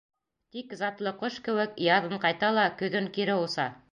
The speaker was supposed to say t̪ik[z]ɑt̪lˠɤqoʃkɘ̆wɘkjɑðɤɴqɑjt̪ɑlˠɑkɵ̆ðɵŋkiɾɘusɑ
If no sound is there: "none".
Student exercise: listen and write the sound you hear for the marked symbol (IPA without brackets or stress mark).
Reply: z